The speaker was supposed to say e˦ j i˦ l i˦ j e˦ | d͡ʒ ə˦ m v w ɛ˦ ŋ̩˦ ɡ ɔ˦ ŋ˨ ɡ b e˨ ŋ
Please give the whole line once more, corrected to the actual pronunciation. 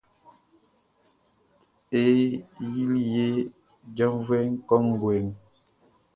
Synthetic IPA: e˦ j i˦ l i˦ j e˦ | d͡ʒ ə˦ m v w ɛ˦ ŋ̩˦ k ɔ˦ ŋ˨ ɡ w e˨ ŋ